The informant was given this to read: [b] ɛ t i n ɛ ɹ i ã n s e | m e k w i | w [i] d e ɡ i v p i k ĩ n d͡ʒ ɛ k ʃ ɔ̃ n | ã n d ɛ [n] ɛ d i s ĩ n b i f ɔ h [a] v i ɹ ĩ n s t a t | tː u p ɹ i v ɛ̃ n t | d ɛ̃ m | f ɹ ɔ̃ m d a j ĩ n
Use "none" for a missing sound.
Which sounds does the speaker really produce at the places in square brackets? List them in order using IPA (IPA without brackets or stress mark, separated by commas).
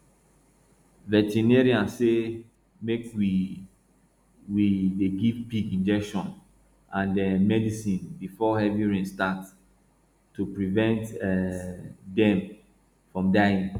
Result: v, i, m, ɛ